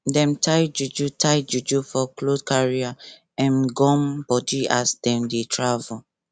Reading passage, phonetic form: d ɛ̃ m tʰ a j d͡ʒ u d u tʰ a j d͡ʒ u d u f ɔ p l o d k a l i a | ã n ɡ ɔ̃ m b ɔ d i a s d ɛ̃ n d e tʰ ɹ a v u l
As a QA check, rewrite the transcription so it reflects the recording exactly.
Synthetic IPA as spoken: d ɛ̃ m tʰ a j d͡ʒ u d͡ʒ u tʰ a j d͡ʒ u d͡ʒ u f ɔ k l o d k a ɹ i a | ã n ɡ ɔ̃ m b ɔ d i a s d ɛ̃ m d e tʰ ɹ a v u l